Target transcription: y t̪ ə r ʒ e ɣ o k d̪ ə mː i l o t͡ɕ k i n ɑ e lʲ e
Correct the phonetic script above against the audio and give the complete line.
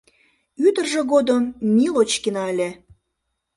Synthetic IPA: y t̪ ə r ʒ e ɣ o d̪ ə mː i l o t͡ɕ k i n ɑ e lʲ e